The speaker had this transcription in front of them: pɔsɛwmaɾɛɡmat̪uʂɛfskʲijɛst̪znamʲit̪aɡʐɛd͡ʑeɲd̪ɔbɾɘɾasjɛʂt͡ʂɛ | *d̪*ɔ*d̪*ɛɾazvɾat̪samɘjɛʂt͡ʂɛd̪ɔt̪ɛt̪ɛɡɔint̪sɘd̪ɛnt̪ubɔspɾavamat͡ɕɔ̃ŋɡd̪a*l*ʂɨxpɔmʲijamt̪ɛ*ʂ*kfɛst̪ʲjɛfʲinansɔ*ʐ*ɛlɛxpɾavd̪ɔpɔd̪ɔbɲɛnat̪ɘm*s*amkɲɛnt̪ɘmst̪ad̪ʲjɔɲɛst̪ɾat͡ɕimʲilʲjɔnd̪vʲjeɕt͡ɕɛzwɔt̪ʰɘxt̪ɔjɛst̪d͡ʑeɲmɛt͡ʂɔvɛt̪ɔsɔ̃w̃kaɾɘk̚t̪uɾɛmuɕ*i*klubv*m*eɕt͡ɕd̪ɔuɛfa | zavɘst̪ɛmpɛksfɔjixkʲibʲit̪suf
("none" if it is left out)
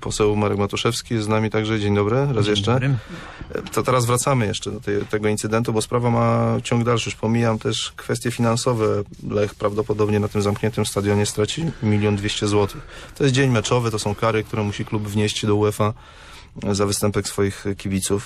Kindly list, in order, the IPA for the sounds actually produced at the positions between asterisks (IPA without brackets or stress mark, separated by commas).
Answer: t̪, t̪, l, ʂ, v, z, i, ɲ